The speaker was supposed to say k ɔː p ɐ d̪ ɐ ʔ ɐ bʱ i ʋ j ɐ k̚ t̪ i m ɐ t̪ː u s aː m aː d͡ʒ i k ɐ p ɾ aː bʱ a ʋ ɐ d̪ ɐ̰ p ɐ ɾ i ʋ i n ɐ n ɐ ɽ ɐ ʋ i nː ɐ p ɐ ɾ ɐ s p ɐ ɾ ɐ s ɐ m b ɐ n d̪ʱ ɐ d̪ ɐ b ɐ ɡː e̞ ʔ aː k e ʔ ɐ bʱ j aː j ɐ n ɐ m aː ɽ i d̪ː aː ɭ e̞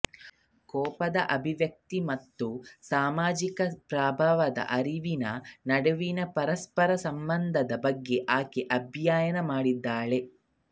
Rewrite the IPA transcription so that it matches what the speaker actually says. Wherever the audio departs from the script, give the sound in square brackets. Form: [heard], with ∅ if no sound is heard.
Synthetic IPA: k ɔː p ɐ d̪ ɐ ʔ ɐ bʱ i ʋ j ɐ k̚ t̪ i m ɐ t̪ː u s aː m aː d͡ʒ i k ɐ p ɾ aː bʱ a ʋ ɐ d̪ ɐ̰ [ʔ] ɐ ɾ i ʋ i n ɐ n ɐ ɽ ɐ ʋ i [n] ɐ p ɐ ɾ ɐ s p ɐ ɾ ɐ s ɐ m b ɐ n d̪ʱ ɐ d̪ ɐ b ɐ ɡː e̞ ʔ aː k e ʔ ɐ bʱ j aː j ɐ n ɐ m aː ɽ i d̪ː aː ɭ e̞